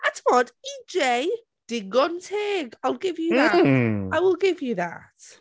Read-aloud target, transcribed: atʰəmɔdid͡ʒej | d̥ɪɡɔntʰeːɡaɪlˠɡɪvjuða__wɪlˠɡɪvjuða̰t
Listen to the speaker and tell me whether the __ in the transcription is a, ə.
a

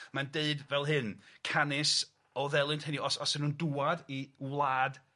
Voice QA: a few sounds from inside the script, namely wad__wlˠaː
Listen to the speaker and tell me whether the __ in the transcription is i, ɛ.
i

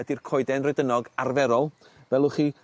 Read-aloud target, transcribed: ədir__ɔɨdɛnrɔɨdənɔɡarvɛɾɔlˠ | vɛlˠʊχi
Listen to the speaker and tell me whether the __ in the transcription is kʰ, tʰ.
kʰ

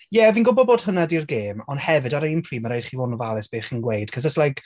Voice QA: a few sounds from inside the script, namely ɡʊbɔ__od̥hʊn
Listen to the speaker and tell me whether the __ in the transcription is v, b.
b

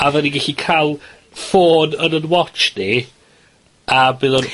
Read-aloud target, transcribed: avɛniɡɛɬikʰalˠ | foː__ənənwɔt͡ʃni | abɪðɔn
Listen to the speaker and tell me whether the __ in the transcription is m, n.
n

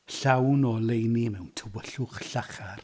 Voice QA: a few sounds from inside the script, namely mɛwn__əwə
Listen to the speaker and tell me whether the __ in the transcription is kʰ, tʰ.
tʰ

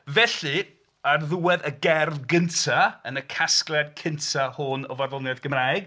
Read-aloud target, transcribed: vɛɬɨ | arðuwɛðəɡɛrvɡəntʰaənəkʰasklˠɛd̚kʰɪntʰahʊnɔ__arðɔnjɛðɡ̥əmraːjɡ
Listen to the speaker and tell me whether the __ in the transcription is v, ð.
v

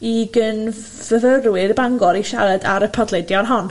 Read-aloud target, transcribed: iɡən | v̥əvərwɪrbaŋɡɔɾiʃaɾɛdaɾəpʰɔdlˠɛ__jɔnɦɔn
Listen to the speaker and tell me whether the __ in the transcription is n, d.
d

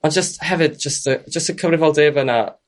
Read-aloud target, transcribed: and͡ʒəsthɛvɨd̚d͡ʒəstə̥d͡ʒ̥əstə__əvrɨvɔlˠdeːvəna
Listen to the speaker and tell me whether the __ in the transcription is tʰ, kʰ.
kʰ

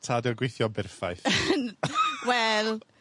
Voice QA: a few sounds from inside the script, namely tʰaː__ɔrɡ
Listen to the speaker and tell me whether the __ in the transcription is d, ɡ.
d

